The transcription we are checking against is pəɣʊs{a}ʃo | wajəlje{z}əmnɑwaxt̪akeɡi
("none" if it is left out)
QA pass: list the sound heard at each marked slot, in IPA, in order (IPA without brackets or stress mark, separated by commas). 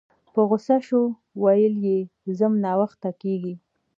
a, z